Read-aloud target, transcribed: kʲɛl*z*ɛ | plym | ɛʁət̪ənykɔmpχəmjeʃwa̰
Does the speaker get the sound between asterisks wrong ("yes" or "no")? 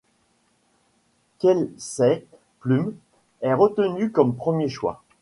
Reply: yes